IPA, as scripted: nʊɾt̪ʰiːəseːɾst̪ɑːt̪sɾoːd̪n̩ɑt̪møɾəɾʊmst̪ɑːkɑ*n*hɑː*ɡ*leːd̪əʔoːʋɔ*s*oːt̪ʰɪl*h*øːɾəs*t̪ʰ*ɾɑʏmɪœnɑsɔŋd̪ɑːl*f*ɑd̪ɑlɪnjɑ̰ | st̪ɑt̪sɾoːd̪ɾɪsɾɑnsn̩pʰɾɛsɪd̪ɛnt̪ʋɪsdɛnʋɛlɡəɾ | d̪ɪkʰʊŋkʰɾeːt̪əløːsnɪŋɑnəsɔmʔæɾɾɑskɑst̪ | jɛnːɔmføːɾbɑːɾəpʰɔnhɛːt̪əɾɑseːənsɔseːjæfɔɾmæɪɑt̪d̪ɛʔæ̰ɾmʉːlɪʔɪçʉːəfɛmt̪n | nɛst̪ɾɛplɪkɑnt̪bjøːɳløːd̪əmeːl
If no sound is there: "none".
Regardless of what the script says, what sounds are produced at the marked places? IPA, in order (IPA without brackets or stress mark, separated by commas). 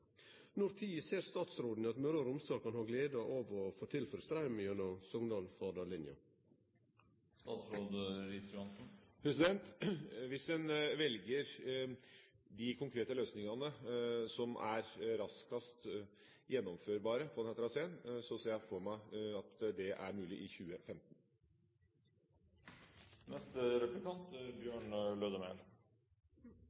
n, ɡ, f, f, t̪, f